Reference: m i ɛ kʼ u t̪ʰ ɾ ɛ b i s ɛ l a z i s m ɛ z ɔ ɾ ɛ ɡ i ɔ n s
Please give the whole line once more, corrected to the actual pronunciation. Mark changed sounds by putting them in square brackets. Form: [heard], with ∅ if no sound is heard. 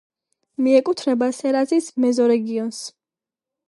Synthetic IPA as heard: m i ɛ kʼ u t̪ʰ ɾ ɛ b [a] s ɛ [ɾ] a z i s m ɛ z ɔ ɾ ɛ ɡ i ɔ n s